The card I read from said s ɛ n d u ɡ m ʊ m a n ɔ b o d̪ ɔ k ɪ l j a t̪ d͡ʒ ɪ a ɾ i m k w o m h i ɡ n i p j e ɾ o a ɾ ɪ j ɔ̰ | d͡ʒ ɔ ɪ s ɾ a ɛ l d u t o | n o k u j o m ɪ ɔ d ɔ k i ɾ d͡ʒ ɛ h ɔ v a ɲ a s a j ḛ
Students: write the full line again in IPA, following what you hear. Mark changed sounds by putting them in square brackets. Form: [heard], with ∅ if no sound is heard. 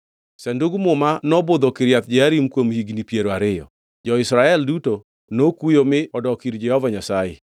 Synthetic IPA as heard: s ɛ n d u ɡ m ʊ m a n ɔ b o d̪ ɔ k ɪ [ɾ] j a t̪ d͡ʒ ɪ a ɾ i m k w o m h i ɡ n i p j e ɾ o a ɾ ɪ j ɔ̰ | d͡ʒ ɔ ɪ s ɾ a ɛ l d u t o | n o k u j o m ɪ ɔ d ɔ k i ɾ d͡ʒ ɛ h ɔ v a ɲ a s a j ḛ